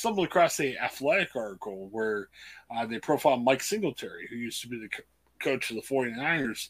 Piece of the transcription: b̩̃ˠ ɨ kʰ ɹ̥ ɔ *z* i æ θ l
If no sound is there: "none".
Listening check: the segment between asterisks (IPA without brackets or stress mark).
s